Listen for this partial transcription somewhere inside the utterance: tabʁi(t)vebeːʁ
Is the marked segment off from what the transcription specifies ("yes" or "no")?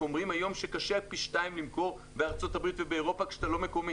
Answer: no